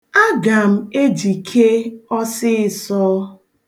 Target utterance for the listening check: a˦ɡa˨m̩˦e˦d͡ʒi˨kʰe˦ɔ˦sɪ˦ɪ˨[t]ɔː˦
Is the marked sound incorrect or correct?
incorrect